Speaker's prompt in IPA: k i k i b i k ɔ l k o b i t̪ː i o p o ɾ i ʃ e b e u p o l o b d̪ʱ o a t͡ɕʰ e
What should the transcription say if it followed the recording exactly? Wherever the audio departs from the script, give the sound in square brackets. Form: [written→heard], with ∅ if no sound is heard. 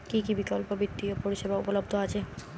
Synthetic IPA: k i k i b i k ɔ l [k→p] o b i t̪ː i o p o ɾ i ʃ e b [e→a] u p o l o b d̪ʱ o a t͡ɕʰ e